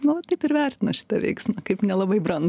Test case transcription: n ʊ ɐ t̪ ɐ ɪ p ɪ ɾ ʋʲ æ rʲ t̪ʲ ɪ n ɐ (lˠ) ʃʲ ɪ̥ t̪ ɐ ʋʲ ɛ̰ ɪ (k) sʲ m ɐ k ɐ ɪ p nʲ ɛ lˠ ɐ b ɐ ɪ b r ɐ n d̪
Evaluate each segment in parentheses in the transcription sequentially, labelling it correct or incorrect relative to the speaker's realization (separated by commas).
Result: incorrect, correct